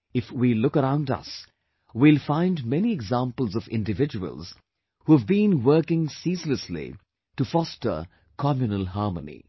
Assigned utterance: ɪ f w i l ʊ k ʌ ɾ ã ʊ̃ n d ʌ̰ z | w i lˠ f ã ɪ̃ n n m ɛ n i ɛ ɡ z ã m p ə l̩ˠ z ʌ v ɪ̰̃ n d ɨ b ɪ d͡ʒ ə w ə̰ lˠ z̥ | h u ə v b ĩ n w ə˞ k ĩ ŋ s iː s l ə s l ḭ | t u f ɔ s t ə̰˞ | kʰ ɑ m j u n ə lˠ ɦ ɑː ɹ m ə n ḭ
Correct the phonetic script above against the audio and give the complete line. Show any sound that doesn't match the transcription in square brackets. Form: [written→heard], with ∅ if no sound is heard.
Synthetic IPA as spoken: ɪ f w i l ʊ k [ʌ→ə] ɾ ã ʊ̃ n d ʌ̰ [z→s] | w i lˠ f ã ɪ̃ n [n→d] m ɛ n i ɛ ɡ z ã m p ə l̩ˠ z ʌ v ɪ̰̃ n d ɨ [b→v] ɪ d͡ʒ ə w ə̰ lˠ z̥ | h u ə v b ĩ n w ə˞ k [ĩ→ɪ̃] ŋ s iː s l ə s l ḭ | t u f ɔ s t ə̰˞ | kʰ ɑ m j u n ə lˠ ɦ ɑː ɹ m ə n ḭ